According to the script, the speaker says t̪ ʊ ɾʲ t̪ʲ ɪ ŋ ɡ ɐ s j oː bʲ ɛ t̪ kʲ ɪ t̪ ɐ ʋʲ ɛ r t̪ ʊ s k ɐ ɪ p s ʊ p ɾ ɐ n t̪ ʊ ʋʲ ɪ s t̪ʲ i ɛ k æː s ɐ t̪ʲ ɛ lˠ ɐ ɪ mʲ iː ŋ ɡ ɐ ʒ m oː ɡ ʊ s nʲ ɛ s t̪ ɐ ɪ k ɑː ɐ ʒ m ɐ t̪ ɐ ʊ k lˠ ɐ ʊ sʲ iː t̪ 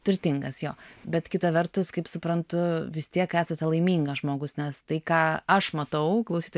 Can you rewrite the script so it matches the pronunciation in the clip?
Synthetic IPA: t̪ ʊ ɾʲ t̪ʲ ɪ ŋ ɡ ɐ s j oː bʲ ɛ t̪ kʲ ɪ t̪ ɐ ʋʲ ɛ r t̪ ʊ s k ɐ ɪ p s ʊ p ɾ ɐ n t̪ ʊ ʋʲ ɪ s t̪ʲ i ɛ k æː s ɐ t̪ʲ ɛ lˠ ɐ ɪ mʲ iː ŋ ɡ ɐ ʒ m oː ɡ ʊ s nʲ ɛ s t̪ ɐ ɪ k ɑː ɐ ʃ m ɐ t̪ ɐ ʊ k lˠ ɐ ʊ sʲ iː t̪